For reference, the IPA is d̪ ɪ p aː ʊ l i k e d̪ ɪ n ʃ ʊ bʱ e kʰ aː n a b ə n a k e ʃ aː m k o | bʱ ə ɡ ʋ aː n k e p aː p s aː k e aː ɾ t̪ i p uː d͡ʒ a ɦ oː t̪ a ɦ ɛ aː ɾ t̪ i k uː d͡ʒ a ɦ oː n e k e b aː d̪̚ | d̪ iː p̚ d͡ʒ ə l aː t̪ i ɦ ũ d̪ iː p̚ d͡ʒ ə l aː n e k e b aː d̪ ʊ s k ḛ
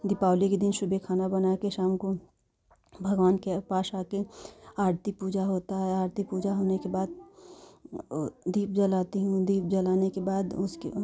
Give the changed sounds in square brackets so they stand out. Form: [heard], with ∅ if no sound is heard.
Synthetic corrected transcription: d̪ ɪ p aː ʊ l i k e d̪ ɪ n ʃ ʊ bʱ e kʰ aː n a b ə n a k e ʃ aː m k o | bʱ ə ɡ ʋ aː n k e p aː [∅] s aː k e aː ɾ t̪ i p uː d͡ʒ a ɦ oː t̪ a ɦ ɛ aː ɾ t̪ i [p] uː d͡ʒ a ɦ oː n e k e b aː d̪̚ | d̪ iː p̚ d͡ʒ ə l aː t̪ i ɦ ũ d̪ iː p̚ d͡ʒ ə l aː n e k e b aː d̪ ʊ s k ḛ